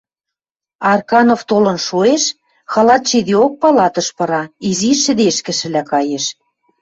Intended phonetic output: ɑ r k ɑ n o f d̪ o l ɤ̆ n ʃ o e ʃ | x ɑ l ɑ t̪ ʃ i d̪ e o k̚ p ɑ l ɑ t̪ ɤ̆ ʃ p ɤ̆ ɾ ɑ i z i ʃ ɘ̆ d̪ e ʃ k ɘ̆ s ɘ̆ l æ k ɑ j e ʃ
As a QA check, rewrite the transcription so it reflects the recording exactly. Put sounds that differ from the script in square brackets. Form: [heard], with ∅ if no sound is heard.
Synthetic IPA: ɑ r k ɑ n o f [t̪] o l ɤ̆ n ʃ o e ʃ | x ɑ l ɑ t̪ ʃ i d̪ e o k̚ p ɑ l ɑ t̪ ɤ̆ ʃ p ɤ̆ ɾ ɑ i z i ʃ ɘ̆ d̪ e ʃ k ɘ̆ [ʃ] ɘ̆ l æ k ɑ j e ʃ